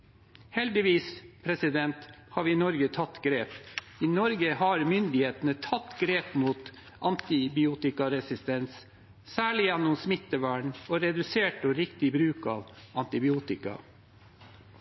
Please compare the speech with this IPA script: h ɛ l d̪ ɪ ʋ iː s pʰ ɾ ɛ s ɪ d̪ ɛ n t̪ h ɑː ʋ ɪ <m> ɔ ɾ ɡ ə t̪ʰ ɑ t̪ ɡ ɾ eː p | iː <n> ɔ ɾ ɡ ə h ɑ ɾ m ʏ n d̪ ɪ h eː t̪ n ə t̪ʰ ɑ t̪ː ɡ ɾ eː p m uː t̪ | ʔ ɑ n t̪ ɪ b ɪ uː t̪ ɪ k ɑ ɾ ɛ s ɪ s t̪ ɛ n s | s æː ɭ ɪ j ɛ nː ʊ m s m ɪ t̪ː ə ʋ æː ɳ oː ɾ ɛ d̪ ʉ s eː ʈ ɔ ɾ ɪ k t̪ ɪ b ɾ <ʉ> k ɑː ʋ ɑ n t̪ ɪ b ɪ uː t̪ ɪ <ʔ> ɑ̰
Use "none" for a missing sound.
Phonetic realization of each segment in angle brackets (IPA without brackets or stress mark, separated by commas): n, n, ʉː, k